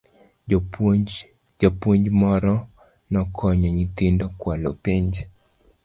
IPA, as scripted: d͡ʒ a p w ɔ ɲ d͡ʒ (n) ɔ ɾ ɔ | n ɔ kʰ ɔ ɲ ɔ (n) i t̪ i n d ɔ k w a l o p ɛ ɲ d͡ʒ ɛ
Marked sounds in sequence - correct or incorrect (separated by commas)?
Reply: incorrect, incorrect